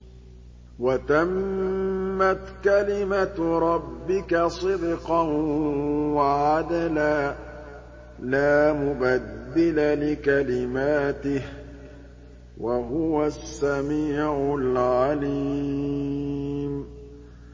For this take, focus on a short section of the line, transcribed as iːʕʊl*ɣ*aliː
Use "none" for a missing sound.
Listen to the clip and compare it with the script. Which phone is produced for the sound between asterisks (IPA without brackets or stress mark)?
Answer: ʕ